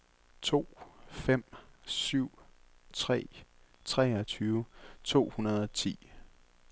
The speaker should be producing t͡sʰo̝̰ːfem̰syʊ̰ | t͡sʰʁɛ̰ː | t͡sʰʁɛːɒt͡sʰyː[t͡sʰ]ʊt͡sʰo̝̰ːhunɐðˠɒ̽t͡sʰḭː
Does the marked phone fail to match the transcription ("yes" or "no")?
yes